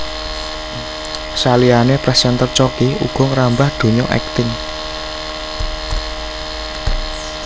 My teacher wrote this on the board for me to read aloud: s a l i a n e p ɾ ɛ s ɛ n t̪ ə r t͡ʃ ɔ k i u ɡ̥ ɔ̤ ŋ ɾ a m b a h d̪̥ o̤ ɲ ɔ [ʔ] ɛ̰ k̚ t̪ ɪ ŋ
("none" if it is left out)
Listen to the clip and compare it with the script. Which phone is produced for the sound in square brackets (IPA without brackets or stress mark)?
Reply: ʔ